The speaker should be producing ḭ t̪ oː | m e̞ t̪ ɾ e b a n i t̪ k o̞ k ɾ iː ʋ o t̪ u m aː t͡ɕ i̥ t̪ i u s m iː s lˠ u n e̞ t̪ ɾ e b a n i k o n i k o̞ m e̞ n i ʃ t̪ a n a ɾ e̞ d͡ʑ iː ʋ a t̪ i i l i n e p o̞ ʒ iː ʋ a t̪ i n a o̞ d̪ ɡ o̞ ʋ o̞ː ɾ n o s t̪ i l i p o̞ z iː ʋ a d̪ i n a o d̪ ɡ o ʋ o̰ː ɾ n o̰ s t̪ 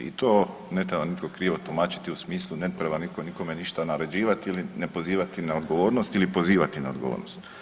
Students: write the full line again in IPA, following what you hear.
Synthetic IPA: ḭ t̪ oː | n e̞ t̪ ɾ e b a n i t̪ k o̞ k ɾ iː ʋ o t̪ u m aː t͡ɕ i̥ t̪ i u s m iː s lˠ u n e̞ t̪ ɾ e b a n i k o n i k o̞ m e̞ n i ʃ t̪ a n a ɾ e̞ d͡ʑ iː ʋ a t̪ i i l i n e p o̞ z iː ʋ a t̪ i n a o̞ d̪ ɡ o̞ ʋ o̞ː ɾ n o s t̪ i l i p o̞ z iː ʋ a t̪ i n a o d̪ ɡ o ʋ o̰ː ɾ n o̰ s t̪